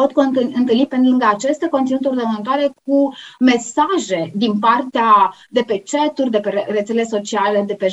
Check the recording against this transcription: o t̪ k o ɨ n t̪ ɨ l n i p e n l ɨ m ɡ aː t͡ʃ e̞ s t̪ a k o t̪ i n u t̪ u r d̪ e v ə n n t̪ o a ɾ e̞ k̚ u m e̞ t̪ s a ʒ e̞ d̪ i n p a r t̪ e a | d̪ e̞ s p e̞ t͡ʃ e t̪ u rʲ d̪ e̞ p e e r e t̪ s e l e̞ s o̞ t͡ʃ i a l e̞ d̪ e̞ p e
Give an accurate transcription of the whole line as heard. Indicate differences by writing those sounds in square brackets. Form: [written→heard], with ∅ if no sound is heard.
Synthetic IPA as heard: o t̪ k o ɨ n t̪ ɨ l n i p e n l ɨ [m→ŋ] ɡ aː t͡ʃ e̞ s t̪ a k o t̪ i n u t̪ u r d̪ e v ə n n t̪ o a ɾ e̞ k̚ u m e̞ [t̪→∅] s a ʒ e̞ d̪ i n p a r t̪ e a | d̪ e̞ [s→∅] p e̞ t͡ʃ e t̪ u rʲ d̪ e̞ p e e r e t̪ s e l e̞ s o̞ t͡ʃ i a l e̞ d̪ e̞ p e